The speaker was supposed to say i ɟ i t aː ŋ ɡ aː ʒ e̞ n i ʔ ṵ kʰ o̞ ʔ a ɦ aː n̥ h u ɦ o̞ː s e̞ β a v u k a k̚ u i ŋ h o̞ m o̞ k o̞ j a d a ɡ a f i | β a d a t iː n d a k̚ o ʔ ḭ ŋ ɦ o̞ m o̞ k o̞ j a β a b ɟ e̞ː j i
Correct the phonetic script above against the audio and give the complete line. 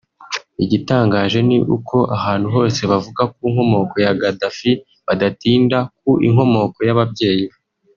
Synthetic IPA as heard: i ɟ i t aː ŋ ɡ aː ʒ e̞ n i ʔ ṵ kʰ o̞ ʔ a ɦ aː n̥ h u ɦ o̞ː s e̞ β a v u ɡ a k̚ u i ŋ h o̞ m o̞ k o̞ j a ɡ a d a f i | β a d a t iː n d a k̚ u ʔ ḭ ŋ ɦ o̞ m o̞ k o̞ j a β a b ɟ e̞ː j i